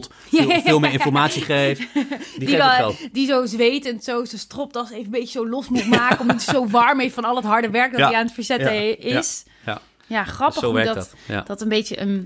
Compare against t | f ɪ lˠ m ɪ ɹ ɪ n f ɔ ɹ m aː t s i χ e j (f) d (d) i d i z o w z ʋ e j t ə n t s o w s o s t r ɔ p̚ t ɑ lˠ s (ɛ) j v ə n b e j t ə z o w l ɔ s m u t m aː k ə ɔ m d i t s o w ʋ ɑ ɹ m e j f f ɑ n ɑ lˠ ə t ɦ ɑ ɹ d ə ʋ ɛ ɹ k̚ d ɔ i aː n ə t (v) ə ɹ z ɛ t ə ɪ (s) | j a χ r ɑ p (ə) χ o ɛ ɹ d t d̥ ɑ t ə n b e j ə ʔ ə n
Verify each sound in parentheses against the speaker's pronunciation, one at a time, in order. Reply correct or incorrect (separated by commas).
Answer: correct, correct, incorrect, incorrect, correct, correct